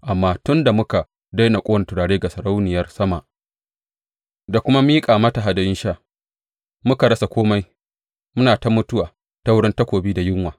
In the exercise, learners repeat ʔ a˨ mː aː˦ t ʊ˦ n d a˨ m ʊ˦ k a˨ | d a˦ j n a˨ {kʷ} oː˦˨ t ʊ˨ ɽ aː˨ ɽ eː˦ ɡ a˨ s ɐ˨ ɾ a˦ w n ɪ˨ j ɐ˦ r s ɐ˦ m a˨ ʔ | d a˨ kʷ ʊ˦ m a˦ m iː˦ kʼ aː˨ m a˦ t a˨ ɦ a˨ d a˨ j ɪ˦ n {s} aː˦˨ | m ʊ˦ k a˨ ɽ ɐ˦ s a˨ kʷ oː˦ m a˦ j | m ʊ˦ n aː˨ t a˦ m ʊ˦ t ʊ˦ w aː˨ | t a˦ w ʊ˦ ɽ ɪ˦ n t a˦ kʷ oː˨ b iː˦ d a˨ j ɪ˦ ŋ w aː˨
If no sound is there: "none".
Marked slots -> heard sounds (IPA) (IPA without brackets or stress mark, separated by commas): kʷʼ, ʃ